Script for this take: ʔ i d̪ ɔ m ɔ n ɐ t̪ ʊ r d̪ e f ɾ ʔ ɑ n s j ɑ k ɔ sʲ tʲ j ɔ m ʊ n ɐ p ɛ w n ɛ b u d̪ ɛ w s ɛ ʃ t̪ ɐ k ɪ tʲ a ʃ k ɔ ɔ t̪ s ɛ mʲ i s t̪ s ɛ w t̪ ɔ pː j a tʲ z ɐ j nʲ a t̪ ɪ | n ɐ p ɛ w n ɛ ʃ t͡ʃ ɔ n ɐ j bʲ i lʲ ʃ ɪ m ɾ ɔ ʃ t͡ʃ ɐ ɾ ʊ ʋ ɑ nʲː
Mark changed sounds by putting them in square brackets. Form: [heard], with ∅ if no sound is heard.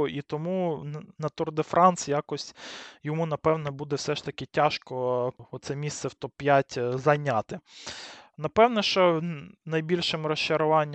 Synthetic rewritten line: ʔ i [t̪] ɔ m [u] n ɐ t̪ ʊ r d̪ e f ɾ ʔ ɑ n s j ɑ k ɔ sʲ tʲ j ɔ m [u] n ɐ p ɛ w n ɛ b u d̪ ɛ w s ɛ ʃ t̪ ɐ k ɪ tʲ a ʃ k ɔ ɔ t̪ s ɛ mʲ i s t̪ s ɛ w t̪ ɔ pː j a tʲ z ɐ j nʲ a t̪ ɪ | n ɐ p ɛ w n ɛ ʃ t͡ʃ ɔ n ɐ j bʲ i lʲ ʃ ɪ m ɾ ɔ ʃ t͡ʃ ɐ ɾ ʊ ʋ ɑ nʲː